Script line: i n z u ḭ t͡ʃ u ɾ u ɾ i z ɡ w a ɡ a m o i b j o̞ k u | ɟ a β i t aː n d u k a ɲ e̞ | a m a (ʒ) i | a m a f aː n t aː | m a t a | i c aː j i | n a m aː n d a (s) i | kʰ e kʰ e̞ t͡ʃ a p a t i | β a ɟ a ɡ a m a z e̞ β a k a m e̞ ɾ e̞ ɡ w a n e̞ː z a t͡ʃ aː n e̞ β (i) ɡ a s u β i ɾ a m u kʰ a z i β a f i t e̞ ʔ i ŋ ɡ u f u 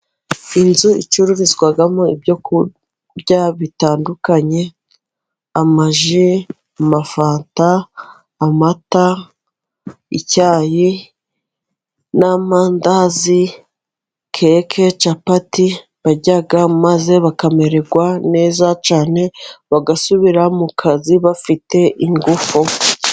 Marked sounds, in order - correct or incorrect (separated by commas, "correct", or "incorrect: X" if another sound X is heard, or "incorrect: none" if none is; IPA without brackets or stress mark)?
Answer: correct, incorrect: z, incorrect: a